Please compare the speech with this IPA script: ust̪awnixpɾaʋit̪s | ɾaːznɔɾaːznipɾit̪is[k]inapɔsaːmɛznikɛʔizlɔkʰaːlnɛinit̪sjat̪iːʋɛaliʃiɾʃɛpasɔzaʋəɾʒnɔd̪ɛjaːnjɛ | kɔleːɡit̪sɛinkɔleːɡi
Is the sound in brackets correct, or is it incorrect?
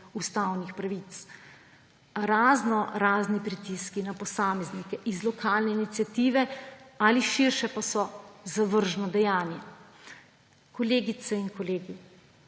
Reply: correct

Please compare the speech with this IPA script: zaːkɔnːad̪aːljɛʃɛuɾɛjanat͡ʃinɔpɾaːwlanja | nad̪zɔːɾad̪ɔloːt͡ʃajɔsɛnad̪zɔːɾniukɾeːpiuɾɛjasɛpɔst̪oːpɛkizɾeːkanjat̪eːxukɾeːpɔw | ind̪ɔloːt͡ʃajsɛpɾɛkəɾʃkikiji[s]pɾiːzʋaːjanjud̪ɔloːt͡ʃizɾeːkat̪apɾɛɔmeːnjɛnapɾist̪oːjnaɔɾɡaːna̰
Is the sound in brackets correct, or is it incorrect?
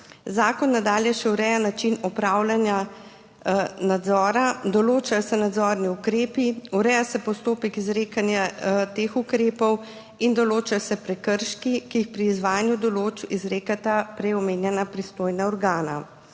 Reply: incorrect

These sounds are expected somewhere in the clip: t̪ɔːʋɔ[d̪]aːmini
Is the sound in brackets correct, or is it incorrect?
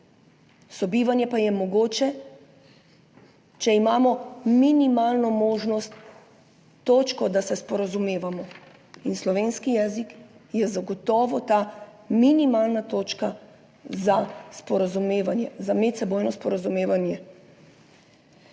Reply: incorrect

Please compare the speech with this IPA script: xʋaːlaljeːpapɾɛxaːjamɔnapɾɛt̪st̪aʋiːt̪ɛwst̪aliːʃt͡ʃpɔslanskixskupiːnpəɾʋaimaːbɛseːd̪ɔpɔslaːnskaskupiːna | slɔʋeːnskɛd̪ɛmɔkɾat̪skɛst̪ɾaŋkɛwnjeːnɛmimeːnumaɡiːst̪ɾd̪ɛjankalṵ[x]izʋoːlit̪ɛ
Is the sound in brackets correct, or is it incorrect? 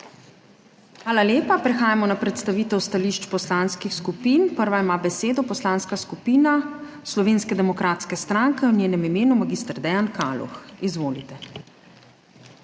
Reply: correct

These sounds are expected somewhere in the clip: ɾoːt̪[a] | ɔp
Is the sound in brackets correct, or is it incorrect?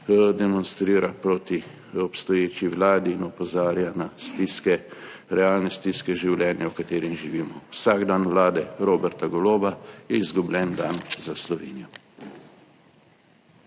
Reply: incorrect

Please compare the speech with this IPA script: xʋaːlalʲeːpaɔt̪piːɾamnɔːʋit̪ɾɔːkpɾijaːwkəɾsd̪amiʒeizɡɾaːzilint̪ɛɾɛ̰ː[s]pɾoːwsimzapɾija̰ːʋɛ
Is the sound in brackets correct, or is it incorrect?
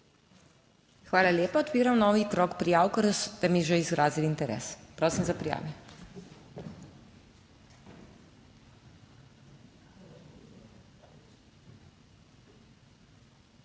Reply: correct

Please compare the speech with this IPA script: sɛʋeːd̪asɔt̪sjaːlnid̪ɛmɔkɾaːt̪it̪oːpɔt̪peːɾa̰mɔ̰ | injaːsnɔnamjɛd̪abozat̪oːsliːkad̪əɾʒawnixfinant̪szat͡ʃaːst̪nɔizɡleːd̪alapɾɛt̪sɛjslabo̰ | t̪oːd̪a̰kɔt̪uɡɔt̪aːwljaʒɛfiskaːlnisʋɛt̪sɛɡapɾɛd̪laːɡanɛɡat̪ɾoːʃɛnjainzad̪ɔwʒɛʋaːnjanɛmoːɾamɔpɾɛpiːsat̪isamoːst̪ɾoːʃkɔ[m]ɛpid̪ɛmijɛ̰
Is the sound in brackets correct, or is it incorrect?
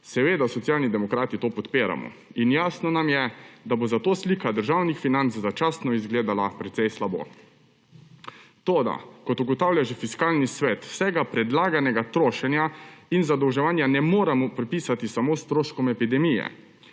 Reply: correct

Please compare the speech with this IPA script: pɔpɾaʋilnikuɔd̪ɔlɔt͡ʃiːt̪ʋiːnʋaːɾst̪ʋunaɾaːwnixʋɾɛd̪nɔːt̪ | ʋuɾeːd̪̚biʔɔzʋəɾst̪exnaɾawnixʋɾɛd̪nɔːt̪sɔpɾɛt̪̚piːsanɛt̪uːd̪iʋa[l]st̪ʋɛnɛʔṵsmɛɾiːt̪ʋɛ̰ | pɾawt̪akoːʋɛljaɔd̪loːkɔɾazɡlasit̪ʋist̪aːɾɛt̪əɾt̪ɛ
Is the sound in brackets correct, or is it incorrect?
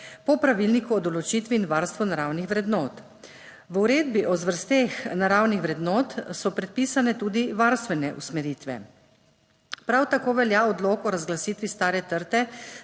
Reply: incorrect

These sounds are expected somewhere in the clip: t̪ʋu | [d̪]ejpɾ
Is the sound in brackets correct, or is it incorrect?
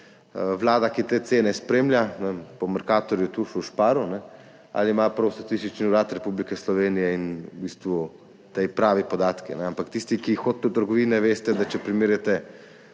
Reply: incorrect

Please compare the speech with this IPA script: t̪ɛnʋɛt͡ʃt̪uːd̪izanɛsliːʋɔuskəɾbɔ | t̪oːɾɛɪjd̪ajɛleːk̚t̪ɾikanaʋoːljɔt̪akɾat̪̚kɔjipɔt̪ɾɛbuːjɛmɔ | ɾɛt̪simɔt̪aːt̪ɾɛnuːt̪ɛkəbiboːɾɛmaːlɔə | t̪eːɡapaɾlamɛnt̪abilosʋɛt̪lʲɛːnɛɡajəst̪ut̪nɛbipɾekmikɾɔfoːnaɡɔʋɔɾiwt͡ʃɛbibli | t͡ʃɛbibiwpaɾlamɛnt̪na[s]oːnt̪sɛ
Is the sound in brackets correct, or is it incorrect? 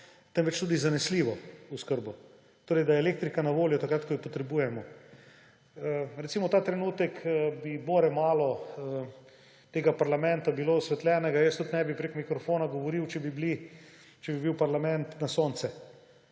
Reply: correct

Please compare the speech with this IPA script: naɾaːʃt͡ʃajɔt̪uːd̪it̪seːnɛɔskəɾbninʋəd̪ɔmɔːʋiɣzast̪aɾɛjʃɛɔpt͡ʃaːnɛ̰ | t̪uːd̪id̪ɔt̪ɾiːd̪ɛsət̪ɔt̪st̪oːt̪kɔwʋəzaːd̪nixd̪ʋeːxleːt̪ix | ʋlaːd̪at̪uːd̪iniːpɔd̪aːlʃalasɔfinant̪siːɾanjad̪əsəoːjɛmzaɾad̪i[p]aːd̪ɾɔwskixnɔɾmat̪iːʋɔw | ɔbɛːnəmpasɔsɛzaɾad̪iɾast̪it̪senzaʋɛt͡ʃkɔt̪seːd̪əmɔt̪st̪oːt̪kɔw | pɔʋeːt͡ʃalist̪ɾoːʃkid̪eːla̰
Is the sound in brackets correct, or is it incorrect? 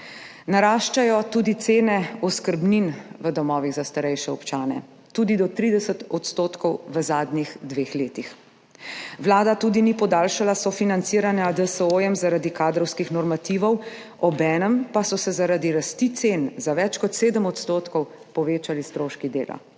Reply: incorrect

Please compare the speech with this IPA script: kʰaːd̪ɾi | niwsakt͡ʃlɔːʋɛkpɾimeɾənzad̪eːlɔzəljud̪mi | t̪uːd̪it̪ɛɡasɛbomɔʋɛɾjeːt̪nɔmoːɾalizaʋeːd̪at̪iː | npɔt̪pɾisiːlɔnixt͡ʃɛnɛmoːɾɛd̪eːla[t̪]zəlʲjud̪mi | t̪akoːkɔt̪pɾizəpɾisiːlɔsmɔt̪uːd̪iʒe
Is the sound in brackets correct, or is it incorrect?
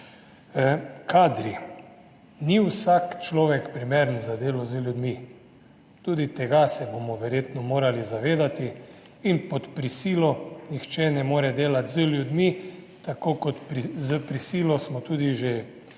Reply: correct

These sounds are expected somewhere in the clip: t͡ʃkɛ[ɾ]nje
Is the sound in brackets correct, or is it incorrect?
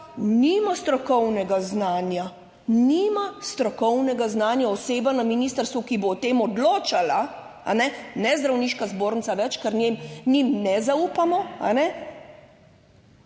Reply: correct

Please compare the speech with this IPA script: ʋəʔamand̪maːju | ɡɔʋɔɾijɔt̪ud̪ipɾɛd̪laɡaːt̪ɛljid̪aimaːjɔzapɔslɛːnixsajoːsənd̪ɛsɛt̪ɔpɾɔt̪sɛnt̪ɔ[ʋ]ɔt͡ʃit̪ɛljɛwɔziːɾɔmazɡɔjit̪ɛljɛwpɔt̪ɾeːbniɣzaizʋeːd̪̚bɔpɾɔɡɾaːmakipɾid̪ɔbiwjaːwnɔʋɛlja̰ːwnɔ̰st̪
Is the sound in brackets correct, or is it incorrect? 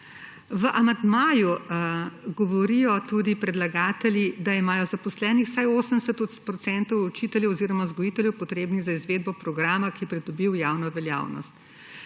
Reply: incorrect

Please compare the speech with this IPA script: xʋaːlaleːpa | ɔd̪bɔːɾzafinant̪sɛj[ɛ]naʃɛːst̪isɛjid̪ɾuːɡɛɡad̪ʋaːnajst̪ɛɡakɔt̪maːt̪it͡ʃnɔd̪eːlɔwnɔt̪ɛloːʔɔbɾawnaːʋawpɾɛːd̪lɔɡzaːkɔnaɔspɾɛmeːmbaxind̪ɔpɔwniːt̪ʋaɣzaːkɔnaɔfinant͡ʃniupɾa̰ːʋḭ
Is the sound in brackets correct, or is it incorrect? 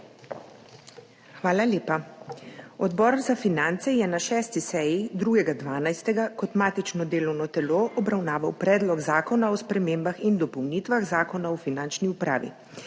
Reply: correct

